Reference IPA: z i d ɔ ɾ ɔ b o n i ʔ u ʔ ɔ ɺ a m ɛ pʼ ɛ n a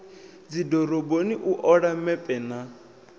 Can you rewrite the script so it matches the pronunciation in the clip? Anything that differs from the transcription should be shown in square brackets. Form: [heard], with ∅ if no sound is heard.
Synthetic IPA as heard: [d͡z] i d ɔ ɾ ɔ b o n i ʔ u ʔ ɔ ɺ a m ɛ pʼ ɛ n a